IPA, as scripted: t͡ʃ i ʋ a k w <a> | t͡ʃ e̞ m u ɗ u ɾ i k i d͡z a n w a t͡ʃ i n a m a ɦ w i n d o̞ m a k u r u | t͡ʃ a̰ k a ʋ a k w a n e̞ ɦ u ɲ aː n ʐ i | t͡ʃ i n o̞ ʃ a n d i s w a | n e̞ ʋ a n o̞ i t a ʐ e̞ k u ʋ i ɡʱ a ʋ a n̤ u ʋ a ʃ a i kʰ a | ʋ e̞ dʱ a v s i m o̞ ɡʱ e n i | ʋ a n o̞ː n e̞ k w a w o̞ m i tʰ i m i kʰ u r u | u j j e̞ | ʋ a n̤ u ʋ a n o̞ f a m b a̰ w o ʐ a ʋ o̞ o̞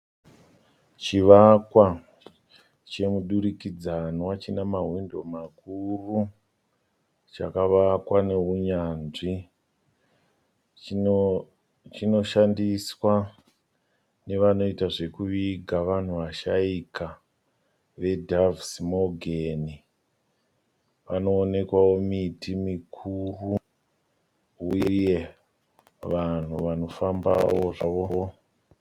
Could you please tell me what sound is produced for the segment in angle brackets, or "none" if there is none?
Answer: a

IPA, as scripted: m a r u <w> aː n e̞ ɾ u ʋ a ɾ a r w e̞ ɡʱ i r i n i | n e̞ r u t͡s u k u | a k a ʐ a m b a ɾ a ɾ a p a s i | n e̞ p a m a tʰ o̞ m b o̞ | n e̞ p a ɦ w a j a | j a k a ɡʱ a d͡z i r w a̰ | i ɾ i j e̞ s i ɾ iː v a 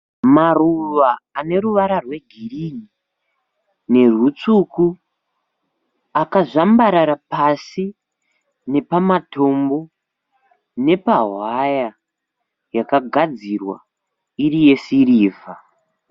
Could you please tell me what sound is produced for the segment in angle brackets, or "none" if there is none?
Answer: ʋ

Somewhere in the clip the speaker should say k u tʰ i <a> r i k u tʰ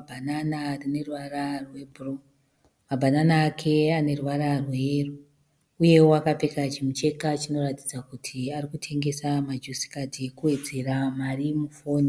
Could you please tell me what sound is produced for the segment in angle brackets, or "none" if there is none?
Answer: a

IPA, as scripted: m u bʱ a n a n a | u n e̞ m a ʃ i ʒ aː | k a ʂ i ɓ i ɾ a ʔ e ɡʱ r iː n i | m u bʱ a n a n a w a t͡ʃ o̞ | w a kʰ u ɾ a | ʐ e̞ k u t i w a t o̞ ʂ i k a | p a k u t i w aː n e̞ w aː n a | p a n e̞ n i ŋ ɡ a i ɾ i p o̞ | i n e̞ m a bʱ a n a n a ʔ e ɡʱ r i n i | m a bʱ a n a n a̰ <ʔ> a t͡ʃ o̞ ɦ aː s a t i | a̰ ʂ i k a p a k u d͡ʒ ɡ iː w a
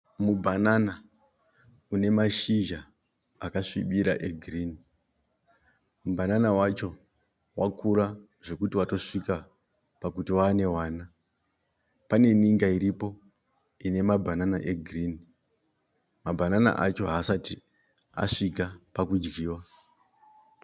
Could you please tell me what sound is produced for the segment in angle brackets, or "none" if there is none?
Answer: ʔ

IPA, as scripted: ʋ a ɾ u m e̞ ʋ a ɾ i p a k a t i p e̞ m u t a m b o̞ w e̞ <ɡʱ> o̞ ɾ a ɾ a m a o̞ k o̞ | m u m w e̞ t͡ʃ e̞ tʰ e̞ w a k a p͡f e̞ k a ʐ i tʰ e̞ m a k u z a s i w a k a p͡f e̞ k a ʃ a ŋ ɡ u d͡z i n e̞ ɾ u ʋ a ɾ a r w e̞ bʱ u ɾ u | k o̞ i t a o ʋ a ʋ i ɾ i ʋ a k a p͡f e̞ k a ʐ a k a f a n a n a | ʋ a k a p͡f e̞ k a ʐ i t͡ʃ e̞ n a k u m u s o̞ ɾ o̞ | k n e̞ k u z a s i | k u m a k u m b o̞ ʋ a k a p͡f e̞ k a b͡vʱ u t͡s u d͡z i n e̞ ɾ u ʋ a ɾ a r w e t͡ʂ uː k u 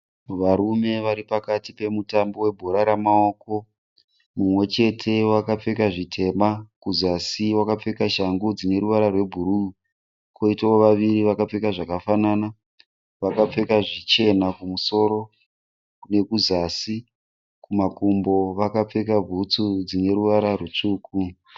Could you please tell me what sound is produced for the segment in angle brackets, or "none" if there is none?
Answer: bʱ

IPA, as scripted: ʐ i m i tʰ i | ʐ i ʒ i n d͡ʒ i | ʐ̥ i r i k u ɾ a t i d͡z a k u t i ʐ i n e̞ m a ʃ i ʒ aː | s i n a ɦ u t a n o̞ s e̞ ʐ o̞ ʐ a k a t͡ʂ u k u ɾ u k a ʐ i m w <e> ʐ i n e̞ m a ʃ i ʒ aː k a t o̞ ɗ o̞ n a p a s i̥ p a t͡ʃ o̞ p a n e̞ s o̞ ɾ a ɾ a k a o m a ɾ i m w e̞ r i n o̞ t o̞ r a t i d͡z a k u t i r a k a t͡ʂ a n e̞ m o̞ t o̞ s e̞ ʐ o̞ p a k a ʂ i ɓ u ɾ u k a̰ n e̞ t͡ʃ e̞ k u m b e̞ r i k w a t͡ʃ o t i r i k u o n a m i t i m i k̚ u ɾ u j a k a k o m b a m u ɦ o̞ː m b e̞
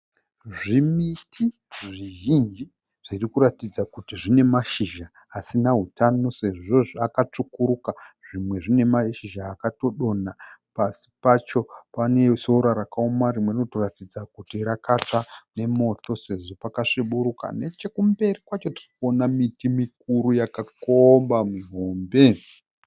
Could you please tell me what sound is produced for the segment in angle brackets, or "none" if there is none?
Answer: e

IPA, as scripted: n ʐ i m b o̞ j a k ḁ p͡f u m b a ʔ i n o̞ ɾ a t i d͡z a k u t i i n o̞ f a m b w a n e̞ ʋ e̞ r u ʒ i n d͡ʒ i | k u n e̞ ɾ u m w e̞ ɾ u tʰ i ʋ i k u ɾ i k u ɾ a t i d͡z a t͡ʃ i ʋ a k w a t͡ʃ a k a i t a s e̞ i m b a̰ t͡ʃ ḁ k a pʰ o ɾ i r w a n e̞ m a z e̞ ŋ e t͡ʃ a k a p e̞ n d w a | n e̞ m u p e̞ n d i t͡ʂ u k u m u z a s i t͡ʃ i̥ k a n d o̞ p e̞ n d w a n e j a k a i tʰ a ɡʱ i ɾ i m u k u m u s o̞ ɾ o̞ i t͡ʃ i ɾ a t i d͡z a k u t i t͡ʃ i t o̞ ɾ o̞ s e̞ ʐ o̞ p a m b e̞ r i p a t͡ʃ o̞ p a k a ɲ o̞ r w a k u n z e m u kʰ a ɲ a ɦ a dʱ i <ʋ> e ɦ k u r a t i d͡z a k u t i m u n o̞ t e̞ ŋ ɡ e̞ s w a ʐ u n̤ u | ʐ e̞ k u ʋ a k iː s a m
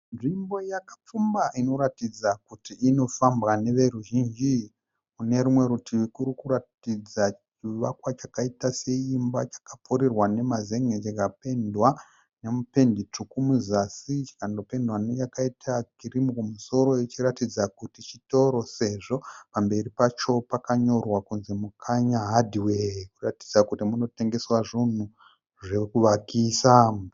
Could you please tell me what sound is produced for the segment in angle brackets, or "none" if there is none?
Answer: w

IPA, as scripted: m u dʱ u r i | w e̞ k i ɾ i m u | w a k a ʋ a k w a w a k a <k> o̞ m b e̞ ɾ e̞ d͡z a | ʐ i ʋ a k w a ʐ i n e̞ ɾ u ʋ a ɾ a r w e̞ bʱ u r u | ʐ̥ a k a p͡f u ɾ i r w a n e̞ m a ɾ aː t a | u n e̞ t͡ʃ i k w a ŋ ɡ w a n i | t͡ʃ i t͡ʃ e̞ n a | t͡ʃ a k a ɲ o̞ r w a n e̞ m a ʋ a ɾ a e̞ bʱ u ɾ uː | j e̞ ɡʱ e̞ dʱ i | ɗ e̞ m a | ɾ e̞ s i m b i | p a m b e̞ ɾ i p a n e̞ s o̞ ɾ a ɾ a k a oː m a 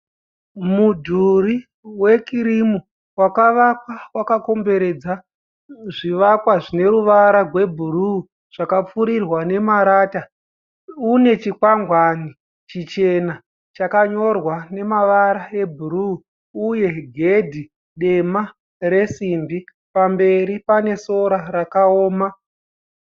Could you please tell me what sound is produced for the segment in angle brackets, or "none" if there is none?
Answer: k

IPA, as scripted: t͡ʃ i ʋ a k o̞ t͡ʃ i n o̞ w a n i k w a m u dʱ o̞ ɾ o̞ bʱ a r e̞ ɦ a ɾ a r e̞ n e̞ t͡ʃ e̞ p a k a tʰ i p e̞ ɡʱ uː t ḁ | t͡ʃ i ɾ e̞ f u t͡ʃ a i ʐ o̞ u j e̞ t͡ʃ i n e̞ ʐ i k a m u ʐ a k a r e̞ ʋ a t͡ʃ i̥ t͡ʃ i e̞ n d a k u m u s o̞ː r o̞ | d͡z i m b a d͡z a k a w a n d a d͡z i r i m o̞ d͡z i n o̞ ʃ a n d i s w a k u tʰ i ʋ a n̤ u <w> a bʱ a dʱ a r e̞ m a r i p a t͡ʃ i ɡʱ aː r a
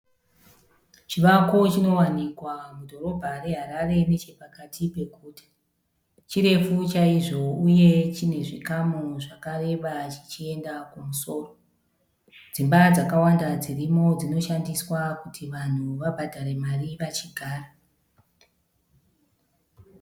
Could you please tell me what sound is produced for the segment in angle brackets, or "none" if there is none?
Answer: ʋ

